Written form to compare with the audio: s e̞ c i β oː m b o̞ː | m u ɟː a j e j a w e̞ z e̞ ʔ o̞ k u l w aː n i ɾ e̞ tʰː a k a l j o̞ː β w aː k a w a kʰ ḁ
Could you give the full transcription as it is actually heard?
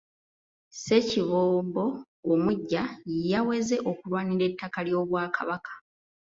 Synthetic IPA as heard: s e̞ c i β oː m b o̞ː | m u ɟː a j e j a w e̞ z e̞ ʔ o̞ k u l w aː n i ɾ e̞ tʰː a k a l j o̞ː β w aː k a β a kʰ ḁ